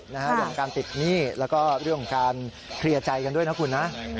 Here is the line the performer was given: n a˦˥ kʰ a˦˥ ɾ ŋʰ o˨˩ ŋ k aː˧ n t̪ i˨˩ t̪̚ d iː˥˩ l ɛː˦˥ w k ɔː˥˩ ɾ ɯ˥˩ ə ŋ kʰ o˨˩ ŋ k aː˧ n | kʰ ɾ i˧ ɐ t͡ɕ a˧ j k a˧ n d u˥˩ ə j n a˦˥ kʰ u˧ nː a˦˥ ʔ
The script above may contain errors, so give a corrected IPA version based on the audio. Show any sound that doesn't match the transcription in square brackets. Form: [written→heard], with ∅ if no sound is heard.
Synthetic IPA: n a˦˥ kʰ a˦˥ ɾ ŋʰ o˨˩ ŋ k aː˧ n t̪ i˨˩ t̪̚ [d→n] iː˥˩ l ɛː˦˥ w k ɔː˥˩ ɾ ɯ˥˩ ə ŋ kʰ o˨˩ ŋ k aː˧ n | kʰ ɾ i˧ ɐ t͡ɕ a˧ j k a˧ n d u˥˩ ə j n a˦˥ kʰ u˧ nː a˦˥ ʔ